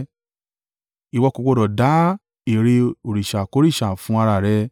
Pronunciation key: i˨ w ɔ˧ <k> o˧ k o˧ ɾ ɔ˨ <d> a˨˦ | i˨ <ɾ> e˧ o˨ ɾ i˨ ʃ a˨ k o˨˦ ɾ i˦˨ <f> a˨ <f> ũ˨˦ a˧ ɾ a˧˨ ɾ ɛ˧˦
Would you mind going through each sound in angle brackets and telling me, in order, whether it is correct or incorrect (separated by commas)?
correct, correct, correct, incorrect, correct